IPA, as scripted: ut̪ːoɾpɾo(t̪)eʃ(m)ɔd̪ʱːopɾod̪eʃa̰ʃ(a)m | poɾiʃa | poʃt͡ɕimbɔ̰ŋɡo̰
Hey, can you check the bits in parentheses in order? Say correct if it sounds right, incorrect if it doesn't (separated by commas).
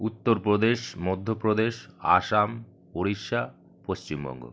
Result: incorrect, correct, correct